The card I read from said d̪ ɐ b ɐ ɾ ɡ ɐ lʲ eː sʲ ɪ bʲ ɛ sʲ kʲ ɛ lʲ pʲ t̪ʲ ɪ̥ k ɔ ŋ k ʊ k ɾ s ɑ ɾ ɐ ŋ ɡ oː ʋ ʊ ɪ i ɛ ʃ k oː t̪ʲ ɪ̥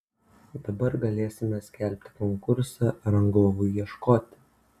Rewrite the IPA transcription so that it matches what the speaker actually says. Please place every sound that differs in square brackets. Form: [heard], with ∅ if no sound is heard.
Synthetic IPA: d̪ ɐ b ɐ ɾ ɡ ɐ lʲ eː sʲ ɪ [mʲ] ɛ sʲ kʲ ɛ lʲ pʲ t̪ʲ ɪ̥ k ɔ ŋ k ʊ [∅] ɾ s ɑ ɾ ɐ ŋ ɡ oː ʋ ʊ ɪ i ɛ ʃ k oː t̪ʲ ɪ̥